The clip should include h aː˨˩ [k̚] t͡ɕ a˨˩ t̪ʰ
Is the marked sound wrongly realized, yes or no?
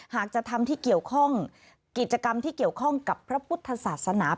no